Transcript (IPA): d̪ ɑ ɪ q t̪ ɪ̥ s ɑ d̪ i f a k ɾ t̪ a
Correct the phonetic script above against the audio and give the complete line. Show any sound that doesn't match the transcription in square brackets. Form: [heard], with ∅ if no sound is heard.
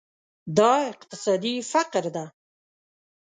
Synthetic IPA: d̪ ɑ ɪ q t̪ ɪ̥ s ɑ d̪ i f a [q] ɾ [d̪] a